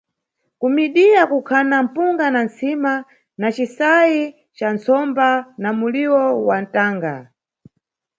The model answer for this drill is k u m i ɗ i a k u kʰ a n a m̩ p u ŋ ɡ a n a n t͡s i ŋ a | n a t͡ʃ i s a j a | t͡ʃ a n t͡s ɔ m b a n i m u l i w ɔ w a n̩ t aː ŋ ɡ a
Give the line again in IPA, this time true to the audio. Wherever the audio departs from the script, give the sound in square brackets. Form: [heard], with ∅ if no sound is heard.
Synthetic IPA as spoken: k u m i ɗ i a k u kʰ a n a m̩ p u ŋ ɡ a n a n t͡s i [m] a | n a t͡ʃ i s a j [i] | t͡ʃ a n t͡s ɔ m b a n [a] m u l i w ɔ w a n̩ t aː ŋ ɡ a

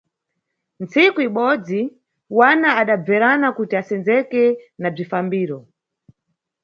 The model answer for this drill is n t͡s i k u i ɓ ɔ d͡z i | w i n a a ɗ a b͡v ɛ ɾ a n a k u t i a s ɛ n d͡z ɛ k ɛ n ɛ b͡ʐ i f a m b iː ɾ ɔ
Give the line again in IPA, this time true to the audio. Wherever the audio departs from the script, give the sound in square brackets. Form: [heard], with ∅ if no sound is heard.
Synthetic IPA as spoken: n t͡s i k u i ɓ ɔ d͡z i | w [a] n a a ɗ a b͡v ɛ ɾ a n a k u t i a s ɛ n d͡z ɛ k ɛ n [a] b͡ʐ i f a m b iː ɾ ɔ

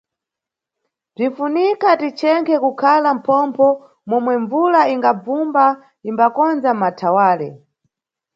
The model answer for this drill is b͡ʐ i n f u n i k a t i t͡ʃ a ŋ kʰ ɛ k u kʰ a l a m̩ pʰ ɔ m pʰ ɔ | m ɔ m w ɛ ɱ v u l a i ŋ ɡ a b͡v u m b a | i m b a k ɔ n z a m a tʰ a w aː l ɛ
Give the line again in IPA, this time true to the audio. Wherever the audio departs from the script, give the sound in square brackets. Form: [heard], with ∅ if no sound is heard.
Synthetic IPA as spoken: b͡ʐ i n f u n i k a t i t͡ʃ [ɛ] ŋ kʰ ɛ k u kʰ a l a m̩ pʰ ɔ m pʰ ɔ | m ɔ m w ɛ ɱ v u l a i ŋ ɡ a b͡v u m b a | i m b a k ɔ n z a m a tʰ a w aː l ɛ

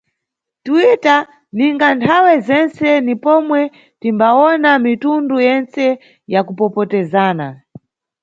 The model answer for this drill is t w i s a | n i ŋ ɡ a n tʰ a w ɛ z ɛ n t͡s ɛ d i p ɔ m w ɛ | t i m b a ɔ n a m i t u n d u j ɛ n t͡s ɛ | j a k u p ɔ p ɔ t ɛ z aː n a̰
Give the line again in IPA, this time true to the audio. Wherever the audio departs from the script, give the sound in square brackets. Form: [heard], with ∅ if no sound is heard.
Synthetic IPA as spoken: t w i [t] a | n i ŋ ɡ a n tʰ a w ɛ z ɛ n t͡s ɛ [n] i p ɔ m w ɛ | t i m b a ɔ n a m i t u n d u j ɛ n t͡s ɛ | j a k u p ɔ p ɔ t ɛ z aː n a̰

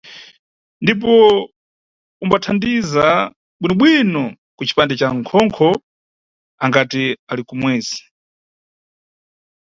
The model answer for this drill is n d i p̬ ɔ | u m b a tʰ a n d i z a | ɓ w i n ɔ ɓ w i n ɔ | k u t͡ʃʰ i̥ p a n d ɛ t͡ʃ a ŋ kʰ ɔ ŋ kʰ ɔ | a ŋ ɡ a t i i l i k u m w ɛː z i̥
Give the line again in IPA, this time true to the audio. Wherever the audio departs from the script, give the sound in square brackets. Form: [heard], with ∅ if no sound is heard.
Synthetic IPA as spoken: n d i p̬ ɔ | u m b a tʰ a n d i z a | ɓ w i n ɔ ɓ w i n ɔ | k u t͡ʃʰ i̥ p a n d ɛ t͡ʃ a ŋ kʰ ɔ ŋ kʰ ɔ | a ŋ ɡ a t i [a] l i k u m w ɛː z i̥

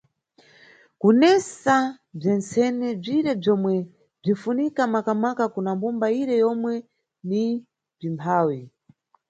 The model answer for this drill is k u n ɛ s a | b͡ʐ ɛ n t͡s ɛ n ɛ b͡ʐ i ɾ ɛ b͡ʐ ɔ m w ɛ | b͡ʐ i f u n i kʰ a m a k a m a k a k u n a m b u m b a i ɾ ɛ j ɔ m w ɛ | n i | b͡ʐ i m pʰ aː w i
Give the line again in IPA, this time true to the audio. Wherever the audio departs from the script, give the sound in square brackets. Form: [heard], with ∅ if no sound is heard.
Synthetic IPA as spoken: k u n ɛ s a | b͡ʐ ɛ n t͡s ɛ n ɛ b͡ʐ i ɾ ɛ b͡ʐ ɔ m w ɛ | b͡ʐ i f u n i [k] a m a k a m a k a k u n a m b u m b a i ɾ ɛ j ɔ m w ɛ | n i | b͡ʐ i m pʰ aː w i

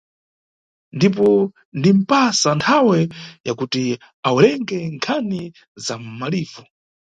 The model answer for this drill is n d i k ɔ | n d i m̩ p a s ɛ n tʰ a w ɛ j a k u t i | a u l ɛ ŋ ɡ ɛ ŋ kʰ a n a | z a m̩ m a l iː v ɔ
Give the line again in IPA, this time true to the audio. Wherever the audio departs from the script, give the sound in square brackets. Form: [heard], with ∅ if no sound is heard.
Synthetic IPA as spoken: n d i [p] ɔ | n d i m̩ p a s [a] n tʰ a w ɛ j a k u t i | a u l ɛ ŋ ɡ ɛ ŋ kʰ a n [i] | z a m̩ m a l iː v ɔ

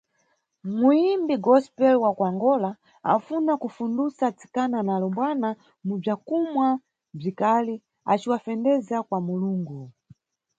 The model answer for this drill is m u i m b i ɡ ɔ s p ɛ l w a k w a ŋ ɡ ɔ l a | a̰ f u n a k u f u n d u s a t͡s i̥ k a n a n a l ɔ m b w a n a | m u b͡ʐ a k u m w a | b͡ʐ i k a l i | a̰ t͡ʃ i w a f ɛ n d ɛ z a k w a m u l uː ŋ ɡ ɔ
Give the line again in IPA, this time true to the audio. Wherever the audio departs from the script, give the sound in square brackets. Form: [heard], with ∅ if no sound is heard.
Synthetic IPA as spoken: m u i m b i ɡ ɔ s p ɛ l w a k w a ŋ ɡ ɔ l a | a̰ f u n a k u f u n d u s a t͡s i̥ k a n a n a l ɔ m b w a n a | m u b͡ʐ a k u m w a | b͡ʐ i k a l i | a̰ t͡ʃ i w a f ɛ n d ɛ z a k w a m u l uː ŋ ɡ [u]

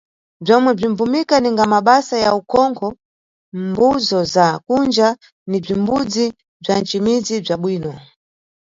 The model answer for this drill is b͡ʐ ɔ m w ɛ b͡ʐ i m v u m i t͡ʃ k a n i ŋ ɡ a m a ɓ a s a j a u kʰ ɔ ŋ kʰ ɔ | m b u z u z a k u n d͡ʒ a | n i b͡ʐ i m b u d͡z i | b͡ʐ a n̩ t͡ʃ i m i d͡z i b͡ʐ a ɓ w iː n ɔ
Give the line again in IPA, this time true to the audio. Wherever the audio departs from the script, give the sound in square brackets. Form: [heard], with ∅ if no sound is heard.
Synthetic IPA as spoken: b͡ʐ ɔ m w ɛ b͡ʐ i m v u m i [∅] k a n i ŋ ɡ a m a ɓ a s a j a u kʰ ɔ ŋ kʰ ɔ | m b u z [ɔ] z a k u n d͡ʒ a | n i b͡ʐ i m b u d͡z i | b͡ʐ a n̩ t͡ʃ i m i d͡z i b͡ʐ a ɓ w iː n ɔ

